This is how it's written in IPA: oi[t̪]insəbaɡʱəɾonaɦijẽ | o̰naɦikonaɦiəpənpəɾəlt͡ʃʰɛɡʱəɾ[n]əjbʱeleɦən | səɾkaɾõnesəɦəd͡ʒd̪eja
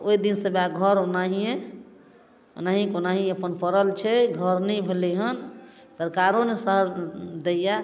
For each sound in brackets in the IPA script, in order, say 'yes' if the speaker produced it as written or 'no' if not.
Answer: no, yes

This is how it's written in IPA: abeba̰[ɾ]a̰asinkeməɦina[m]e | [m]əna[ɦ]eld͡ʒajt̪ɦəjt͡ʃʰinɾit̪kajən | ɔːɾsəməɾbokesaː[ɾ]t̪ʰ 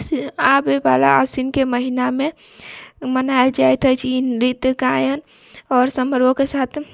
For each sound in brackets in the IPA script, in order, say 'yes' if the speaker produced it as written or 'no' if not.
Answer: no, yes, yes, no, no

